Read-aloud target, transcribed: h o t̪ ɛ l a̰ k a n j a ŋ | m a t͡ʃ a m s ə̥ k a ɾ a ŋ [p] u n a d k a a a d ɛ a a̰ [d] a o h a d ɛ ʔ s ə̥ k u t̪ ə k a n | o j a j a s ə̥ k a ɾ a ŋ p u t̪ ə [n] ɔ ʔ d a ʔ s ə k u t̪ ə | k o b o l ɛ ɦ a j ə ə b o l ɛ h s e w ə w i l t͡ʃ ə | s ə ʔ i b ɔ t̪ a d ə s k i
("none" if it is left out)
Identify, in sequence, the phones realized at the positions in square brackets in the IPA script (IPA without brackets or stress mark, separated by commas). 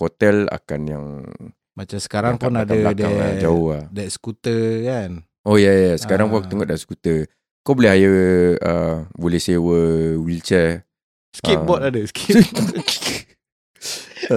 p, d͡ʒ, ŋ